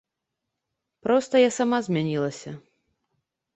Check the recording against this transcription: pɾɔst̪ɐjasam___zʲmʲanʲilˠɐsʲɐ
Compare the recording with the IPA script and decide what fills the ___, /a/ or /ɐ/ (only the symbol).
a